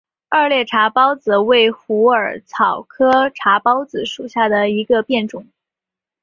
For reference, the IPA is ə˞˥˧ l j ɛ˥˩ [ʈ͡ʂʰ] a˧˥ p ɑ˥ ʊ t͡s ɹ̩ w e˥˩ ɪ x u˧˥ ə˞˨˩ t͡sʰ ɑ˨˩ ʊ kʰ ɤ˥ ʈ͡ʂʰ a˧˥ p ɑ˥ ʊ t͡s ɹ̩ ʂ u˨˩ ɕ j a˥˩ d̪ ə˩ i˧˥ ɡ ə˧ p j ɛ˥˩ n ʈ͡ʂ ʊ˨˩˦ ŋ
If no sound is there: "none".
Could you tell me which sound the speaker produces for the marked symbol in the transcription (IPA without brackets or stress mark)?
ʈ͡ʂʰ